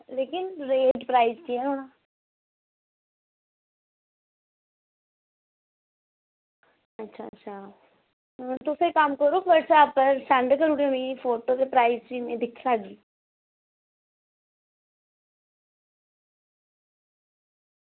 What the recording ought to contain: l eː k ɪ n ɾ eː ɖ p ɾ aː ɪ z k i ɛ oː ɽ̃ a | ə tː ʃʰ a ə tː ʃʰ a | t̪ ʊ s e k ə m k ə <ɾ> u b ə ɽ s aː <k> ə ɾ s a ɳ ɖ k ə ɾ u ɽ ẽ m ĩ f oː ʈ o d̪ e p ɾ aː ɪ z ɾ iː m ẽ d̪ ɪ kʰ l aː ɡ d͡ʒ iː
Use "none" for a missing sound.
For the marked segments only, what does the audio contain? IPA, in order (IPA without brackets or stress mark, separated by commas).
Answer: ɾ, p